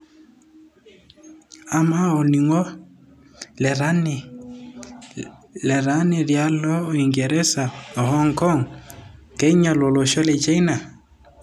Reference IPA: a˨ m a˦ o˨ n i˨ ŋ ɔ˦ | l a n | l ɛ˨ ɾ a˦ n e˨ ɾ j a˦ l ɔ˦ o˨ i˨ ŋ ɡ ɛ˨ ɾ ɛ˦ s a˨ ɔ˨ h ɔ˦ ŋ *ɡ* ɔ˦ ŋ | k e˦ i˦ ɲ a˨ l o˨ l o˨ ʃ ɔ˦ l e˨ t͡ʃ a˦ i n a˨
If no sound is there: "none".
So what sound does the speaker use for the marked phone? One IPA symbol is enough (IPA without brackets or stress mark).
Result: k